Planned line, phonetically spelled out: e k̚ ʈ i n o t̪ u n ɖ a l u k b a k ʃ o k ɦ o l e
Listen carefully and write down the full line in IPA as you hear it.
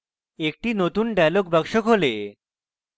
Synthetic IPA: e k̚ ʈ i n o t̪ u n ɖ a l o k b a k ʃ o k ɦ o l e